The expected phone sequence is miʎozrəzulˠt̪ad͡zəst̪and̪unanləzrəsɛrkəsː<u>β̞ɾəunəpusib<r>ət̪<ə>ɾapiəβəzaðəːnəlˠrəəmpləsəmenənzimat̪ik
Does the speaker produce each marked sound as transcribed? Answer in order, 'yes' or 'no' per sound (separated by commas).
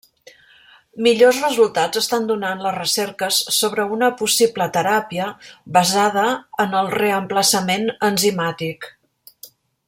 no, no, yes